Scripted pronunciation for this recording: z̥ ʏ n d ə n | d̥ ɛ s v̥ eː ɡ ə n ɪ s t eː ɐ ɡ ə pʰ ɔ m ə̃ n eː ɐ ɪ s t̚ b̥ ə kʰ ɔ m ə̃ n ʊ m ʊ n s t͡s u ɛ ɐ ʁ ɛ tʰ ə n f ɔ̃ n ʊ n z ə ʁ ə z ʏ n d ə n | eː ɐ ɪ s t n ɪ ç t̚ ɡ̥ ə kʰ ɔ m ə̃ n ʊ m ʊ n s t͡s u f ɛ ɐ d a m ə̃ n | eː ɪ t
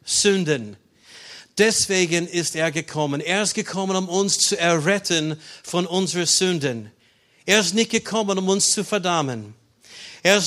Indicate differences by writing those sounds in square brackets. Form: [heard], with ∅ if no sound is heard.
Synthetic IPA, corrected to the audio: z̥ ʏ n d ə n | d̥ ɛ s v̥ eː ɡ ə n ɪ s t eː ɐ ɡ ə [kʰ] ɔ m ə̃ n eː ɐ ɪ s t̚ [ɡ̥] ə kʰ ɔ m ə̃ n ʊ m ʊ n s t͡s u ɛ ɐ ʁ ɛ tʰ ə n f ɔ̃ n ʊ n z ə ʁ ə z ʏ n d ə n | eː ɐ ɪ s t n ɪ ç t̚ ɡ̥ ə kʰ ɔ m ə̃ n ʊ m ʊ n s t͡s u f ɛ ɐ d a m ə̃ n | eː ɪ [s]